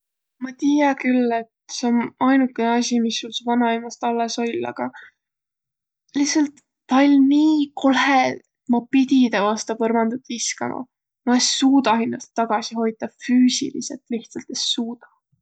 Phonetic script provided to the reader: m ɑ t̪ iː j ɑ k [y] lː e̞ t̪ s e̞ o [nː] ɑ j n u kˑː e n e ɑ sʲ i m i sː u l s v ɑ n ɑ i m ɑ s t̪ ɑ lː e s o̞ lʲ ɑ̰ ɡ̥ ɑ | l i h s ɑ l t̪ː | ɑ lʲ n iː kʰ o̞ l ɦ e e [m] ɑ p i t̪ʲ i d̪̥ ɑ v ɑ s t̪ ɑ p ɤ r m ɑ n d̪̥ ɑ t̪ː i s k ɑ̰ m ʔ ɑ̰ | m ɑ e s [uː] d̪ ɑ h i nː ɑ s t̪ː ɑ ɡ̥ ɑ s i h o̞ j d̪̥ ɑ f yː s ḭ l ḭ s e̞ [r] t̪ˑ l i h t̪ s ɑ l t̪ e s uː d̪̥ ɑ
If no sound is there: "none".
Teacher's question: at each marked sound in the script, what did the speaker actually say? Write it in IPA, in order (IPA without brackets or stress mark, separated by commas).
y, n, m, uː, l